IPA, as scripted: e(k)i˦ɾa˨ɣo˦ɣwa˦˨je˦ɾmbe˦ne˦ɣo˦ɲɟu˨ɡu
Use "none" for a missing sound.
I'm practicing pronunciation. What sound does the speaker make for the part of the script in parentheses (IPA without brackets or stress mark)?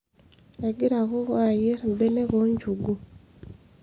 ɡ